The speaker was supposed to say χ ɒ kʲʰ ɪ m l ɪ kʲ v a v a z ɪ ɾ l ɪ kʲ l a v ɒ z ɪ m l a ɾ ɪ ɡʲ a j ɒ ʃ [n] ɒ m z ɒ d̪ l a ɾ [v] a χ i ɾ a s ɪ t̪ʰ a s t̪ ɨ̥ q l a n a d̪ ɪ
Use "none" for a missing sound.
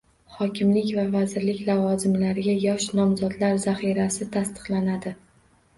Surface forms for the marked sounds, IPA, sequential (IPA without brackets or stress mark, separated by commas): n, z